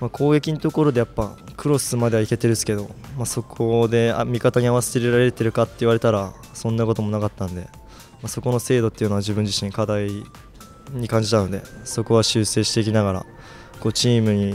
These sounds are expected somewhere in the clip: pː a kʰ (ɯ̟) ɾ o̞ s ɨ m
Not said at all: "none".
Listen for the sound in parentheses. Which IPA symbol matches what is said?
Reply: ɯ̟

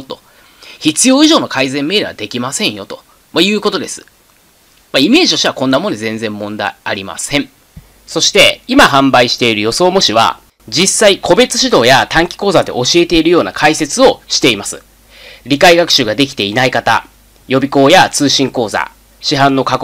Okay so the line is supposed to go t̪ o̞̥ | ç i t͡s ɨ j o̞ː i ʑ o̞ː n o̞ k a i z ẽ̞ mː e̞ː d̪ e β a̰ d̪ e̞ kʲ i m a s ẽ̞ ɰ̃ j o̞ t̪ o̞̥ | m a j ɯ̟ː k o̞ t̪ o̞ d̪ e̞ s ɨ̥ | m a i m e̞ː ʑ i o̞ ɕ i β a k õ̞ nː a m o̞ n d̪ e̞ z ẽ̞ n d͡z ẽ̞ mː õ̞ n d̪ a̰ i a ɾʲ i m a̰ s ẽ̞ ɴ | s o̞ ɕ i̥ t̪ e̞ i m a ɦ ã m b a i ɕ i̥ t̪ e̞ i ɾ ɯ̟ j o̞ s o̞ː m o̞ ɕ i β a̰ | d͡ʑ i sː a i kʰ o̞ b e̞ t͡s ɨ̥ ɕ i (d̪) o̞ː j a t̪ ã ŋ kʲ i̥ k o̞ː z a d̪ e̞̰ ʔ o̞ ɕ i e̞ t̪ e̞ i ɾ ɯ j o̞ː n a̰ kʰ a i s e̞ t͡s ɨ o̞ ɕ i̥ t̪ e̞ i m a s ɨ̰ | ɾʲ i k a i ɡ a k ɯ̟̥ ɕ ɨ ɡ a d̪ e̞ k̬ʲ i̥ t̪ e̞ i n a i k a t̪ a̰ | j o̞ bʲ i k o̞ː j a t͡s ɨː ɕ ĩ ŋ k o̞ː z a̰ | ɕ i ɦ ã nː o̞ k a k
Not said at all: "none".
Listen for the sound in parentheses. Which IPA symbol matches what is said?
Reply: d̪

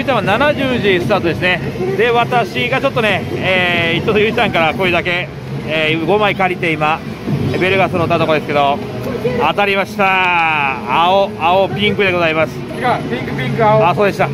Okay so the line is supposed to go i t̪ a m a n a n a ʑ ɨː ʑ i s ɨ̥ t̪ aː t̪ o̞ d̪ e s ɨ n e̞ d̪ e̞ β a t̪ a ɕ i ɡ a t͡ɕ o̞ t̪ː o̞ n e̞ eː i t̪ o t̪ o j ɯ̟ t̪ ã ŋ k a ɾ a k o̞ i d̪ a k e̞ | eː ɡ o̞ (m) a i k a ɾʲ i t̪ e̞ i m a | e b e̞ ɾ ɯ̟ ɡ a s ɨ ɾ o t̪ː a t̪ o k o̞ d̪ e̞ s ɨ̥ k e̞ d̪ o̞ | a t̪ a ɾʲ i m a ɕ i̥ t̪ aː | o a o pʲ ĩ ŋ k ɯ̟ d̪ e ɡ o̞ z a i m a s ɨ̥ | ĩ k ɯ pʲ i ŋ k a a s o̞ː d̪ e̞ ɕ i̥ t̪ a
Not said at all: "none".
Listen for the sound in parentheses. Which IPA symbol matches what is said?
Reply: m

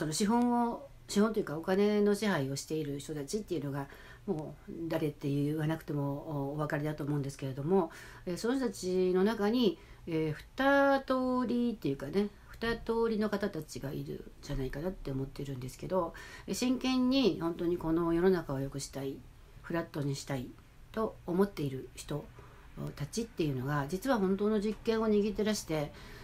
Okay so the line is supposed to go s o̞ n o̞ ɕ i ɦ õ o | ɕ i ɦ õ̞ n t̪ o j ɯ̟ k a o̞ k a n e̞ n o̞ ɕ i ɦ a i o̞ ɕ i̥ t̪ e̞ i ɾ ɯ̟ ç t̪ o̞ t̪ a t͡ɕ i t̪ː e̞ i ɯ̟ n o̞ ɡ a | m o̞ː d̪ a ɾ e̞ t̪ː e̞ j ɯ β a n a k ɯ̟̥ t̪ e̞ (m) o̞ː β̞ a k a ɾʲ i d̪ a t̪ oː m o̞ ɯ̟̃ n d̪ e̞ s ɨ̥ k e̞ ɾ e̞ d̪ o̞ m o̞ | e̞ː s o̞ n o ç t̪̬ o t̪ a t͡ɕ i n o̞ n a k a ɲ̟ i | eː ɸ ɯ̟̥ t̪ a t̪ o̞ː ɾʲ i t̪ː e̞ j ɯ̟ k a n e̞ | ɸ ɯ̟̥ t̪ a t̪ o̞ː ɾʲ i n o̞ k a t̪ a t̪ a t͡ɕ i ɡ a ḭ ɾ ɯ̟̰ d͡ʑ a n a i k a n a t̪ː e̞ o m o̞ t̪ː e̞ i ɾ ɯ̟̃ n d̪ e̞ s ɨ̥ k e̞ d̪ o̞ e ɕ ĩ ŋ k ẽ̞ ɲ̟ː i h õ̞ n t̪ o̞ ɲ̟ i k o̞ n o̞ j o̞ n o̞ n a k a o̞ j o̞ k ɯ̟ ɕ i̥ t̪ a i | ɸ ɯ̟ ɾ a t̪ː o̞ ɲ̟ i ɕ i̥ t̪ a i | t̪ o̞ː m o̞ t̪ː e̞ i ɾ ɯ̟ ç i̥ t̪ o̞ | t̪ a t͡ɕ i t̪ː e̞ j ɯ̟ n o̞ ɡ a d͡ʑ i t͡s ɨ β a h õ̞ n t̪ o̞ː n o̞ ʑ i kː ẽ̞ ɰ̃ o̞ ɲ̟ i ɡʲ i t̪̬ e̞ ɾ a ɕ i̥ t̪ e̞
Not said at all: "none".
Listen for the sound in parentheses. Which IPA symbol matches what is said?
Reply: m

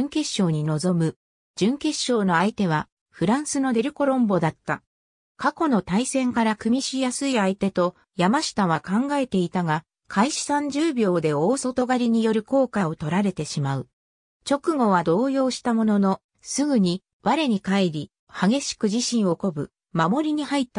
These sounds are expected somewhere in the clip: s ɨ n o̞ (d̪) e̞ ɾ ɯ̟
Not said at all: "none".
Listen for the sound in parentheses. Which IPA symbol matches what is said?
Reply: d̪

